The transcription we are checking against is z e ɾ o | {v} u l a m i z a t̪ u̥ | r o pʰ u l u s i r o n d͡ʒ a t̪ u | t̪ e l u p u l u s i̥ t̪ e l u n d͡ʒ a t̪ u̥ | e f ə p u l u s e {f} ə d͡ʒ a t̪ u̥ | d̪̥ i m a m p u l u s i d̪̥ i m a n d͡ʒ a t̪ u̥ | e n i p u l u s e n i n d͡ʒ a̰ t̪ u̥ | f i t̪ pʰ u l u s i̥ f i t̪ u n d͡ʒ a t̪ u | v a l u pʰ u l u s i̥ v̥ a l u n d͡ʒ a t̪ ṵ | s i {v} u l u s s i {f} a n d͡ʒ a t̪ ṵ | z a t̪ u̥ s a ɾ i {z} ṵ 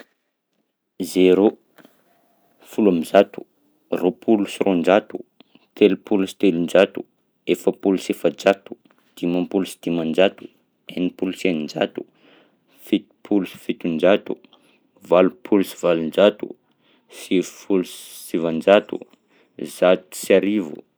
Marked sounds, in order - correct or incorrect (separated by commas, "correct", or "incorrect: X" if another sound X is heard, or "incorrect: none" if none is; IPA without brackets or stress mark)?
incorrect: f, correct, incorrect: f, incorrect: v, incorrect: v